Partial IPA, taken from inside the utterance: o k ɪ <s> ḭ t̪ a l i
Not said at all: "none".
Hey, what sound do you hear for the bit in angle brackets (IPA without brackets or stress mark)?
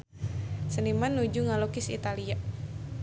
s